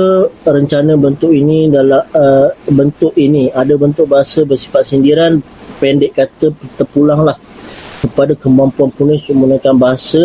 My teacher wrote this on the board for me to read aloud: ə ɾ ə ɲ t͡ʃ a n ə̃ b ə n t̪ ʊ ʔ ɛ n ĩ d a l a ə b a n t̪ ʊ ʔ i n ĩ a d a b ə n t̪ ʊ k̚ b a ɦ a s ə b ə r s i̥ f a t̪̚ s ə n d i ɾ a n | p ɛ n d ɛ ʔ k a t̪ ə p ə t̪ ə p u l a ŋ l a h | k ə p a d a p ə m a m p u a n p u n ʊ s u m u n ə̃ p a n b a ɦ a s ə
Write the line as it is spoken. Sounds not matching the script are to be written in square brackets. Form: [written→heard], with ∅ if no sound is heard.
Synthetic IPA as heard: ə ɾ ə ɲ t͡ʃ a n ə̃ b ə n t̪ ʊ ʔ [ɛ→i] n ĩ d a l a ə b [a→ə] n t̪ ʊ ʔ i n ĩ a d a b ə n t̪ ʊ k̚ b a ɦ a s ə b ə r s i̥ f a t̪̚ s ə n d i ɾ a n | p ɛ n d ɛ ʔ k a t̪ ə p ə t̪ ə p u l a ŋ l a h | k ə p a d a [p→k] ə m a m p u a n p u n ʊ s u m u n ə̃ [p→k] a n b a ɦ a s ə